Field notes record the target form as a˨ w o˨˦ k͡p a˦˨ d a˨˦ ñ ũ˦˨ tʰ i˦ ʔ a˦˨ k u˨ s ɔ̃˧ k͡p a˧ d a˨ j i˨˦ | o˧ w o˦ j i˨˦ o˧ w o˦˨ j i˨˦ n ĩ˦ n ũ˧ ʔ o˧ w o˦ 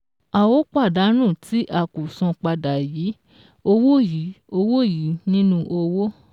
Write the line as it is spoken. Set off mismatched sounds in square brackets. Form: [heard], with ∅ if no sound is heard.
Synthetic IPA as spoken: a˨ w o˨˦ k͡p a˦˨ d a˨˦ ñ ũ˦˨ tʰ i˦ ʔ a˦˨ k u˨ s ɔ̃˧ k͡p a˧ d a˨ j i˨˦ | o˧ w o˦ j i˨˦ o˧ w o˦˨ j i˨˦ n ĩ˦ n ũ˧ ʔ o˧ w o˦

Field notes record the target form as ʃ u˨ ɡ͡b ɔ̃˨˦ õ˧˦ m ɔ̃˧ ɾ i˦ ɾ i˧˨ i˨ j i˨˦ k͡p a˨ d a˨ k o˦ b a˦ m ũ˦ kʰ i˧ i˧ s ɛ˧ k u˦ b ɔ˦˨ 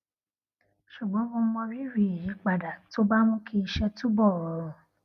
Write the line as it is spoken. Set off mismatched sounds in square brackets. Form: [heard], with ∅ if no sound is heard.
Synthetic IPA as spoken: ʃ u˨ ɡ͡b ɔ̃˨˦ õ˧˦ m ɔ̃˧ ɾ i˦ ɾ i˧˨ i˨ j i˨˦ k͡p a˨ d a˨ [t] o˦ b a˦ m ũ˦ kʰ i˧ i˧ [ʃ] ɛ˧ [t] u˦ b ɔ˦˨

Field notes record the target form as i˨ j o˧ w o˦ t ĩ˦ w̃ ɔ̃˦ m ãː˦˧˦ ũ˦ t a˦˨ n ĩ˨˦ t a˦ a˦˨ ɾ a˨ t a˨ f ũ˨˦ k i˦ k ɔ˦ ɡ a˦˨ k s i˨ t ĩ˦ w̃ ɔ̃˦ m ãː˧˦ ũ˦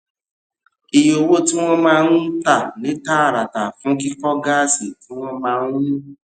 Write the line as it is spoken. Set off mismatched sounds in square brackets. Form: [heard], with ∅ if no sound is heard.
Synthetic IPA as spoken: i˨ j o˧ w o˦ t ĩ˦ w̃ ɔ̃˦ m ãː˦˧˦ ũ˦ t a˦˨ n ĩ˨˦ t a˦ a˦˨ ɾ a˨ t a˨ f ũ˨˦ k i˦ k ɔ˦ ɡ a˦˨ [∅] s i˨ t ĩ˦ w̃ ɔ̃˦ m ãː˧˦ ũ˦

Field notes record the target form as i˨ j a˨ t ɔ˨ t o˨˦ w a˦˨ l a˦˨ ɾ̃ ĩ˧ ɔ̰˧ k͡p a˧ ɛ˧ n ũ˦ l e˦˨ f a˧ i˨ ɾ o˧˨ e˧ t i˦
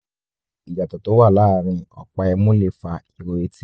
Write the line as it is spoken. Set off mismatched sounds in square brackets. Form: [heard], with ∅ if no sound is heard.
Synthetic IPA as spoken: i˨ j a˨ t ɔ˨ t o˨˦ w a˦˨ l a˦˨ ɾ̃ ĩ˧ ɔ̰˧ k͡p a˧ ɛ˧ [m] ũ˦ l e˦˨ f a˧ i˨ ɾ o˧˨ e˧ t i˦

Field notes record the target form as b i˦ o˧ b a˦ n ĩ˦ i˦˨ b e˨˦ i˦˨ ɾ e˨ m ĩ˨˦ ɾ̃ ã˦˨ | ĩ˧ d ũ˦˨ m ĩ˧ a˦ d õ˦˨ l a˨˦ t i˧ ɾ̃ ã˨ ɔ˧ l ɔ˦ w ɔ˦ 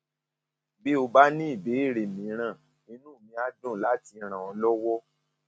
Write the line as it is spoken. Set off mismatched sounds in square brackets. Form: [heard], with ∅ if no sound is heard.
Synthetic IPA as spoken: b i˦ o˧ b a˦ n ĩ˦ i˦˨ b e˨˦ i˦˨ ɾ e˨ m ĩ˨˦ ɾ̃ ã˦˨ | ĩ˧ [n] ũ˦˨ m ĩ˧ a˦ d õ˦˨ l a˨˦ t i˧ ɾ̃ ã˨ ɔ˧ l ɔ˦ w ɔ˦

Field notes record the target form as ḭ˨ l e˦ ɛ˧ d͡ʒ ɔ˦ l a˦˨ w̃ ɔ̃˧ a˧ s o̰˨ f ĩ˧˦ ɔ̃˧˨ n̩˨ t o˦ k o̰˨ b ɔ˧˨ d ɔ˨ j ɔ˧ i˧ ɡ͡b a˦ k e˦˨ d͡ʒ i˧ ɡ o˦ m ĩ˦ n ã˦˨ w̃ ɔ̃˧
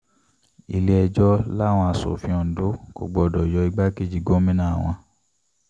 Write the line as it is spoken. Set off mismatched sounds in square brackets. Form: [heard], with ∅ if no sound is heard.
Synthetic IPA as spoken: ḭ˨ l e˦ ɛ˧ d͡ʒ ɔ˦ l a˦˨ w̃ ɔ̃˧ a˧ s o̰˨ f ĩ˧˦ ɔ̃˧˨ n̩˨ [d] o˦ k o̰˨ [ɡ͡b] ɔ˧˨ d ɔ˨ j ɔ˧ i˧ ɡ͡b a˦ k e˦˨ d͡ʒ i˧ ɡ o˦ m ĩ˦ n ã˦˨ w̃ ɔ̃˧

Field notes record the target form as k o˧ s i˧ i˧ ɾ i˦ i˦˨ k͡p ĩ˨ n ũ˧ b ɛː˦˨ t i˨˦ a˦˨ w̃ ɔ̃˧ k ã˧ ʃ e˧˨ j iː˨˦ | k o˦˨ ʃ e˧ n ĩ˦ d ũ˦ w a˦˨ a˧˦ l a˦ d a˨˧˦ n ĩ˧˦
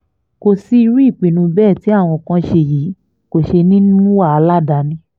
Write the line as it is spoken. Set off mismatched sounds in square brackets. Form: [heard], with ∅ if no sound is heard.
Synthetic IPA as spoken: k o˧ s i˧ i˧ ɾ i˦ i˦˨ k͡p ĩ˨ n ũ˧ b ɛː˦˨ t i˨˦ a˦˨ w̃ ɔ̃˧ k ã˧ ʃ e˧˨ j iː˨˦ | k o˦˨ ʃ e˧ n ĩ˦ [n] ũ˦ w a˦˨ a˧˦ l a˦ d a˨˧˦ n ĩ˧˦

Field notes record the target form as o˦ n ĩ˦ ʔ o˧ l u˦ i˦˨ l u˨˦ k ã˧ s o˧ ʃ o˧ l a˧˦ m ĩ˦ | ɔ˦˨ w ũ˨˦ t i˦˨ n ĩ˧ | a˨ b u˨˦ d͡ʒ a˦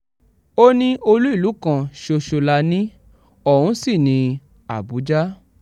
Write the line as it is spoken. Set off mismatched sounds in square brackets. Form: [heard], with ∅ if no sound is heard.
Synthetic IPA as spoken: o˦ n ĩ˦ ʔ o˧ l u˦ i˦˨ l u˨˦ k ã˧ [ʃ] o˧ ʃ o˧ l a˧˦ [n] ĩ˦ | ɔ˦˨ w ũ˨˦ [s] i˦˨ n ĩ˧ | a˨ b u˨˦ d͡ʒ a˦

